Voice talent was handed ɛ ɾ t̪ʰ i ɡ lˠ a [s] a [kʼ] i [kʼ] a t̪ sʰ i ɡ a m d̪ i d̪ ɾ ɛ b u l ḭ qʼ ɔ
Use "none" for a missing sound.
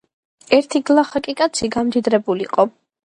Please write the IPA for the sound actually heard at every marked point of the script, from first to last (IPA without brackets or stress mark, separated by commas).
χ, kʼ, kʼ